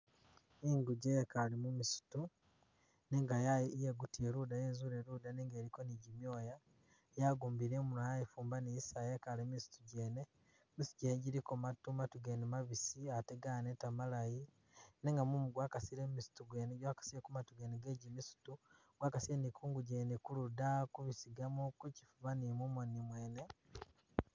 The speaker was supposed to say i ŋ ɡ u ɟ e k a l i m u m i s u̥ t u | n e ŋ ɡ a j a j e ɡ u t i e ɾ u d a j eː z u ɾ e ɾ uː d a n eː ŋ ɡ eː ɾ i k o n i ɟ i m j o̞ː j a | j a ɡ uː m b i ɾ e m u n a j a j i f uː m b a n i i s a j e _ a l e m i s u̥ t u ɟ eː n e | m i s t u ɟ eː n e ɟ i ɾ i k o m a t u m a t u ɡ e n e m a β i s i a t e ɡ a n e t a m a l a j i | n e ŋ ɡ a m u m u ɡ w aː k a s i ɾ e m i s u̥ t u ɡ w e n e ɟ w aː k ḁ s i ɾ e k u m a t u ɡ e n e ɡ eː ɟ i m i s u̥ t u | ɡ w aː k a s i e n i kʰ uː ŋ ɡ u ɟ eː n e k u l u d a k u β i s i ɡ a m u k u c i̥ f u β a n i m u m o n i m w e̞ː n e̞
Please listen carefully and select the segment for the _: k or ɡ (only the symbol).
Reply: k